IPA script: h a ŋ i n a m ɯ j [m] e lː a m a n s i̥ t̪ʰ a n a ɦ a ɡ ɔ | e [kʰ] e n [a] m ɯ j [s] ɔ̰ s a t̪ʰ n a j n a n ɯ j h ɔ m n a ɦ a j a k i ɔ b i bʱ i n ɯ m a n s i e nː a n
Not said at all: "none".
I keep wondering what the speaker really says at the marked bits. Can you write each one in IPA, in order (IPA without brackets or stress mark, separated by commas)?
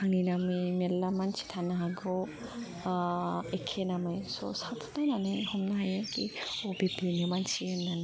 m, kʰ, a, s